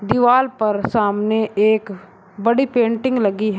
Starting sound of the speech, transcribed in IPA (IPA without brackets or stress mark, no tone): d̪